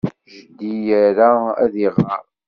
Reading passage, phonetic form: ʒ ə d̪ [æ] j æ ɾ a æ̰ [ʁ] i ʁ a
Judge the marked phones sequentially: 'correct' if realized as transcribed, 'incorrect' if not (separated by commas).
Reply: incorrect, incorrect